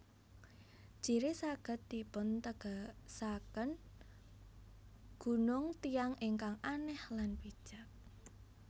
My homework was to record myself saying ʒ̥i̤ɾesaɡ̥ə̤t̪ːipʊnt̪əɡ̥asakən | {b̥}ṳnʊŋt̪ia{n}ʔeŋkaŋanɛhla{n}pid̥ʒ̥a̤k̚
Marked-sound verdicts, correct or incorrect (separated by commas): incorrect, incorrect, correct